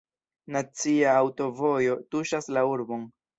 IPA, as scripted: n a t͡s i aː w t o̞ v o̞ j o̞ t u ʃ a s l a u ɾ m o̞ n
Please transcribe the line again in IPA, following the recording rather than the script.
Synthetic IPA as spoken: n a t͡s i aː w t o̞ v o̞ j o̞ t u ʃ a s l a u ɾ b o̞ n